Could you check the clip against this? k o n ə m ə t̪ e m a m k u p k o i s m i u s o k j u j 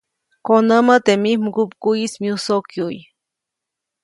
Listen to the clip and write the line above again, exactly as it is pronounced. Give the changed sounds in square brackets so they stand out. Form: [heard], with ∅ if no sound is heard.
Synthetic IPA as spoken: k o n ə m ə t̪ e m [i] m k u p k [u] i s m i u s o k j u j